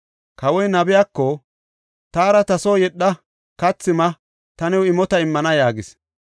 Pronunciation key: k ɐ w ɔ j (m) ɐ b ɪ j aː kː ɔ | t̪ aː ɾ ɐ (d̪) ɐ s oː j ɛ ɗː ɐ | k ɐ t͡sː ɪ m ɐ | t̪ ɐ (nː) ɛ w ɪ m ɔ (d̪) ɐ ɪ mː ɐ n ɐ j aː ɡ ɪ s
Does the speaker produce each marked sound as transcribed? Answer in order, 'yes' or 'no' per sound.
no, no, no, no

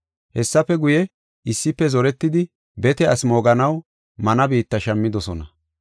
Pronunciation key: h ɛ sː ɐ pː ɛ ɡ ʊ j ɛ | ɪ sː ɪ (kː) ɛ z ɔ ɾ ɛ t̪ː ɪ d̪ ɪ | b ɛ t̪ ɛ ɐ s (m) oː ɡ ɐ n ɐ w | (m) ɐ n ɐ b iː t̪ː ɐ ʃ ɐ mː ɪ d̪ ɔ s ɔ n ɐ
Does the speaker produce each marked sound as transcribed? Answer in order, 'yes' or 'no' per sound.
no, yes, yes

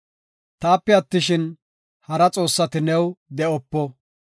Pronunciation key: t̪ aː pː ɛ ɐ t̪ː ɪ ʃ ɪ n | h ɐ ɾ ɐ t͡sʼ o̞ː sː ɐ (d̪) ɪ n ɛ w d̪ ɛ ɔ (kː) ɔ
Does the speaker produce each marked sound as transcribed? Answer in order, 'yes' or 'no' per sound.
no, no

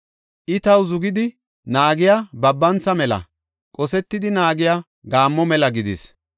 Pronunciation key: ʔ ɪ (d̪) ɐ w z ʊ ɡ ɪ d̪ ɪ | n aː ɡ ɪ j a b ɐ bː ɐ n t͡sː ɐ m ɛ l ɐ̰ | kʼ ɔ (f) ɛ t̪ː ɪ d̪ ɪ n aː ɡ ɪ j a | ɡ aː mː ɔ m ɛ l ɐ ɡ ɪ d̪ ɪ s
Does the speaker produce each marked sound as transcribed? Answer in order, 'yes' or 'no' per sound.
no, no

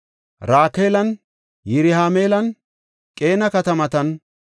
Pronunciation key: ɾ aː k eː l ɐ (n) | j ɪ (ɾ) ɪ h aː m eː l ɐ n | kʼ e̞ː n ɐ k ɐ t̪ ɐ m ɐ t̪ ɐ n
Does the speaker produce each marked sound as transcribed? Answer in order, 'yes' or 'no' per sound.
yes, yes

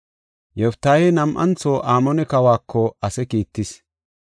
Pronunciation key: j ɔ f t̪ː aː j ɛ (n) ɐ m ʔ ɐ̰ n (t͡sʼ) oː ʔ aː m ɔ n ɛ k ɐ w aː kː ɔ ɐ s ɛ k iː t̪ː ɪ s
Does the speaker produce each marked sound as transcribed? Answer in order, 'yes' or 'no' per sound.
yes, no

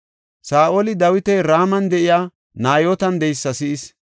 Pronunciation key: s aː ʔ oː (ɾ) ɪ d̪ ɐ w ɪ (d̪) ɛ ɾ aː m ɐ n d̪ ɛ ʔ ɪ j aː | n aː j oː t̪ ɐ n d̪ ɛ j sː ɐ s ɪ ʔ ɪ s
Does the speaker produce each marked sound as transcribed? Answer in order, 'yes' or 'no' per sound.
no, no

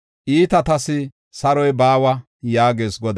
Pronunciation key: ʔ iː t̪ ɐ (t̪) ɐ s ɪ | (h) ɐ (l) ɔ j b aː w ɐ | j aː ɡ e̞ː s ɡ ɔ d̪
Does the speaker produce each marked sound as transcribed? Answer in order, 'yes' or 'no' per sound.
yes, no, no

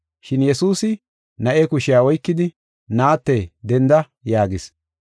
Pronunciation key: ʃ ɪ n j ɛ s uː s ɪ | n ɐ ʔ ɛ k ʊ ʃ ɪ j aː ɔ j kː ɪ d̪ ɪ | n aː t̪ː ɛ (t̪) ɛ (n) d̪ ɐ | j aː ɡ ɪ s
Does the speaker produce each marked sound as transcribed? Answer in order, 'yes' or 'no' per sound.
no, yes

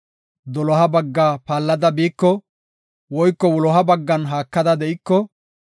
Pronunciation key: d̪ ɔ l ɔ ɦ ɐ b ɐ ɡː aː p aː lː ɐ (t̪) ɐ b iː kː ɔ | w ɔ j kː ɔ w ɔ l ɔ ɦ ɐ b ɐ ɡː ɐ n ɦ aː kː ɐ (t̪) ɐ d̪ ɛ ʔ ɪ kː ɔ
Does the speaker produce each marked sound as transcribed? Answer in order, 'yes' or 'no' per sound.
no, no

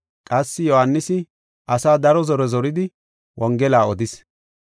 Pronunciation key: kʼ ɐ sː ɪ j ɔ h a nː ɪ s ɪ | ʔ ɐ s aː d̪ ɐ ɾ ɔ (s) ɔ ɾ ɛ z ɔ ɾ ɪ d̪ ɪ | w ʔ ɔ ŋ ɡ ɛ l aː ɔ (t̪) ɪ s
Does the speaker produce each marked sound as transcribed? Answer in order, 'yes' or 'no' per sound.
no, no

